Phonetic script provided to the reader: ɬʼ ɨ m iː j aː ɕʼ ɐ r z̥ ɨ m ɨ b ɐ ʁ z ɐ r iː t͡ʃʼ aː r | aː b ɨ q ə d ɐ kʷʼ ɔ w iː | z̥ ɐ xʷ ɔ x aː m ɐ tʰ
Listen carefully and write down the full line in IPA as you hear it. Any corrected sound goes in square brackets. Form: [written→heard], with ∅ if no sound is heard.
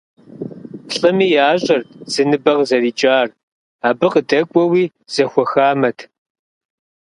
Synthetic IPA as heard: ɬʼ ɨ m iː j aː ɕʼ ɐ r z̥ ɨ [m→n] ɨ b ɐ ʁ z ɐ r iː t͡ʃʼ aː r | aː b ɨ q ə d ɐ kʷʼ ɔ w iː | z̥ ɐ xʷ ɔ x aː m ɐ tʰ